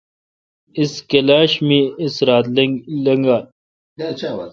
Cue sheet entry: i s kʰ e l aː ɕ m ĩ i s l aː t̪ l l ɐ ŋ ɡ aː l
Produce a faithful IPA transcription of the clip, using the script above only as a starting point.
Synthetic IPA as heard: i s k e l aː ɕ m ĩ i s ɾ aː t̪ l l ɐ ŋ ɡ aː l